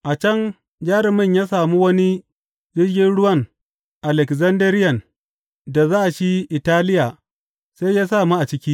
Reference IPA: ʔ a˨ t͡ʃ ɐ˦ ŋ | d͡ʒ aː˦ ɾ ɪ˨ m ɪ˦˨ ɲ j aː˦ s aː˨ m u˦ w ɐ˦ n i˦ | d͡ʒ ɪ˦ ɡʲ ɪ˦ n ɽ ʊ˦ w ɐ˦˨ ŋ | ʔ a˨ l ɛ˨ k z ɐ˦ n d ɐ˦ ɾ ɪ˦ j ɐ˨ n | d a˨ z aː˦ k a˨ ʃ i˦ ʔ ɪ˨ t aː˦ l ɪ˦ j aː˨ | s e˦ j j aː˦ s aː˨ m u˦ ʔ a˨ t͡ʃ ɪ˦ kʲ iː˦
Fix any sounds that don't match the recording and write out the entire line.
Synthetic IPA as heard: ʔ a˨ t͡ʃ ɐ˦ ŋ | d͡ʒ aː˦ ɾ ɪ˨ m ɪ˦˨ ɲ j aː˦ s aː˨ m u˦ w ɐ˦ n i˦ | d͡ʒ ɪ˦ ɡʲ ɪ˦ n ɽ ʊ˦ w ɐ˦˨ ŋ | ʔ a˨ l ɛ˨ k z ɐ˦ n d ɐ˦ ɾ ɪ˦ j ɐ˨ n | d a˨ z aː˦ ʔ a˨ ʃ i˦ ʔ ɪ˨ t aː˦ l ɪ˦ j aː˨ | s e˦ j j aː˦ s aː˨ m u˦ ʔ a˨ t͡ʃ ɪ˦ kʲ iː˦